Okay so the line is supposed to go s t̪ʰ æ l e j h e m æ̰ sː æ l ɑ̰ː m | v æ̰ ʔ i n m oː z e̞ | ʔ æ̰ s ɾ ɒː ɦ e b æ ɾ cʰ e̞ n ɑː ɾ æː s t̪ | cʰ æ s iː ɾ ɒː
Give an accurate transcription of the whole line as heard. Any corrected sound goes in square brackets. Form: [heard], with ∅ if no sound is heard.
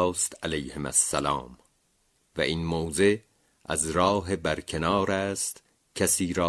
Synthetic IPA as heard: s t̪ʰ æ l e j h e m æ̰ sː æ l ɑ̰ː m | v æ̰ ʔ i n m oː z e̞ | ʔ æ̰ [z] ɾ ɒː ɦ e b æ ɾ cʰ e̞ n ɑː ɾ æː s t̪ | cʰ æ s iː ɾ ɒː